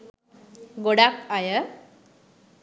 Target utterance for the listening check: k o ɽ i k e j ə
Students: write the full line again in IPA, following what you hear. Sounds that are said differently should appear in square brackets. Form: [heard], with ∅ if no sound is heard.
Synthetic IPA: [ɡ] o ɽ [a] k [a] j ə